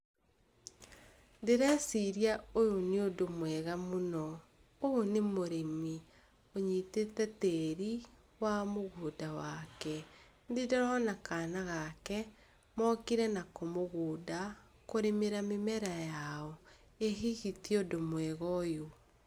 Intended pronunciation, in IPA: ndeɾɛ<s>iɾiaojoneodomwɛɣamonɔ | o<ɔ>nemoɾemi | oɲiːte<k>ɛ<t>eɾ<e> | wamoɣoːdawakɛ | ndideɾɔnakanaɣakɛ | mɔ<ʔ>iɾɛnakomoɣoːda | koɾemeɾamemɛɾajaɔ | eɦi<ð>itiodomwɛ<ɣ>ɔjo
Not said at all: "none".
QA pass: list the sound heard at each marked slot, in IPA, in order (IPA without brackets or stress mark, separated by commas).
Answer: s, o, t, t, i, k, ɣ, ɣ